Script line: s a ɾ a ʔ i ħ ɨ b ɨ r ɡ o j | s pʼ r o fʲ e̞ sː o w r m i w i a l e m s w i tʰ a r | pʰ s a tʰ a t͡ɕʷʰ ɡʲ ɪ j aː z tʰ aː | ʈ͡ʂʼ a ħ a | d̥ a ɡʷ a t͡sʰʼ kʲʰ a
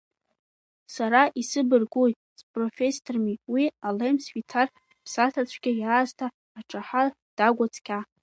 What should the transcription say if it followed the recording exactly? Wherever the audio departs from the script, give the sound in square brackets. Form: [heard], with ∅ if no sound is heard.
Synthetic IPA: s a ɾ a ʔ i [s] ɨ b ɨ r ɡ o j | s pʼ r o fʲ e̞ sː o [∅] r m i w i a l e m s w i tʰ a r | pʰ s a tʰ a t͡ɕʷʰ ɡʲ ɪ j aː z tʰ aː | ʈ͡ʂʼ a ħ a | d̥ a ɡʷ a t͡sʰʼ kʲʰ a